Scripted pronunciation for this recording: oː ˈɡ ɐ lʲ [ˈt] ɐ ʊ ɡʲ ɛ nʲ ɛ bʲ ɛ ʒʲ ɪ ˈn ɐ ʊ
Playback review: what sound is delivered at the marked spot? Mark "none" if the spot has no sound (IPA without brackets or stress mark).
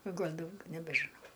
d